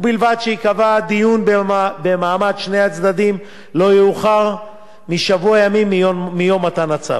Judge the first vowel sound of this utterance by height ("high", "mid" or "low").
high